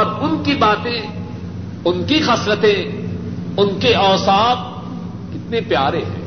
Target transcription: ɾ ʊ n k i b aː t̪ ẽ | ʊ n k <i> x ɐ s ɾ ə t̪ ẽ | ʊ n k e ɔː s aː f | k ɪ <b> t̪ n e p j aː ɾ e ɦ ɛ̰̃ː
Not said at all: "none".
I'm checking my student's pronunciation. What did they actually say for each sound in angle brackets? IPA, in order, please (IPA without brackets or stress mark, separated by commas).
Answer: i, none